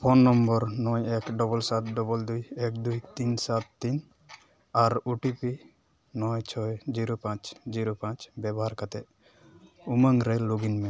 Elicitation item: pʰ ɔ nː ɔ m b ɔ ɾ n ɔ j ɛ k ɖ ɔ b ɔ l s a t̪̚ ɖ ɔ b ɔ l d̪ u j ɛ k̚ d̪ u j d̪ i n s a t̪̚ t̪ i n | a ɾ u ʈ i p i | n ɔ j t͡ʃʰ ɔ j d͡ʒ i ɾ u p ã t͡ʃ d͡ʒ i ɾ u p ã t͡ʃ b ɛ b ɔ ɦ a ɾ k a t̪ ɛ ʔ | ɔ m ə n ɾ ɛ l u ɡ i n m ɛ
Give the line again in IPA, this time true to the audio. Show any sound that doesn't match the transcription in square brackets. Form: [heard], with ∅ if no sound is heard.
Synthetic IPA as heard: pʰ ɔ nː ɔ m b ɔ ɾ n ɔ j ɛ k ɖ ɔ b ɔ l s a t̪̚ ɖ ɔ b ɔ l d̪ u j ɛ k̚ d̪ u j [t̪] i n s a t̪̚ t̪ i n | a ɾ u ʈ i p i | n ɔ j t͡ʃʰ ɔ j d͡ʒ i ɾ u p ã t͡ʃ d͡ʒ i ɾ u p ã t͡ʃ b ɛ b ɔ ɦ a ɾ k a t̪ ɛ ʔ | [u] m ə [ŋ] ɾ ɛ l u ɡ i n m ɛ